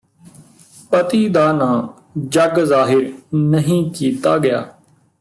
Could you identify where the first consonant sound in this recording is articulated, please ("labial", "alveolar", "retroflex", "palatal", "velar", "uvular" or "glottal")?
labial